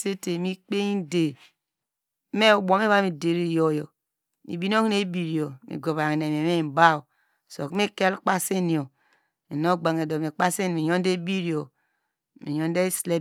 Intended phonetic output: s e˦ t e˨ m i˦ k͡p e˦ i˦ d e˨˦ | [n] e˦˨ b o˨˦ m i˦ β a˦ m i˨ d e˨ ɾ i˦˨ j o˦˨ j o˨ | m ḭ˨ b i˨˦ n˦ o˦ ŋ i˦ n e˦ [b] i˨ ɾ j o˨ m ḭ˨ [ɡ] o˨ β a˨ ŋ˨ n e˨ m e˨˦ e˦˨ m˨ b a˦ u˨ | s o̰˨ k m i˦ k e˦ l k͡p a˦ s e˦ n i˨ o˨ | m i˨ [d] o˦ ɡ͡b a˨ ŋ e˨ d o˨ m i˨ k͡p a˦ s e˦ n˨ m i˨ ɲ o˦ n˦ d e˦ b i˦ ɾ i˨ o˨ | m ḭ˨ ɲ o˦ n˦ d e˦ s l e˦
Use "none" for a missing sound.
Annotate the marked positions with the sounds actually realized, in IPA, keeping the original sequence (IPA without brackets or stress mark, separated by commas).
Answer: m, b, ɡ, n